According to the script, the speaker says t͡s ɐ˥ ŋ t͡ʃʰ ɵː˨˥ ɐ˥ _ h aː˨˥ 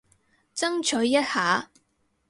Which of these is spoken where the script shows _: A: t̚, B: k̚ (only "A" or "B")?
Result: A